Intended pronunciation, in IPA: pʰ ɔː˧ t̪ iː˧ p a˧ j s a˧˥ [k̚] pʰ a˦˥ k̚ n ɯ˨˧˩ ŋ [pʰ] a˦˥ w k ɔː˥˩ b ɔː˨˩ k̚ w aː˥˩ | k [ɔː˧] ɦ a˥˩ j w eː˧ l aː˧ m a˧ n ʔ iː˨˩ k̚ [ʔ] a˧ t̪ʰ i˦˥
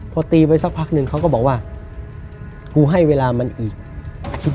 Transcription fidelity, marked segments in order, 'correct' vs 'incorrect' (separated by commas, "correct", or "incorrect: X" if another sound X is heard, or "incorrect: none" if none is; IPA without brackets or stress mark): correct, incorrect: kʰ, incorrect: uː˧, correct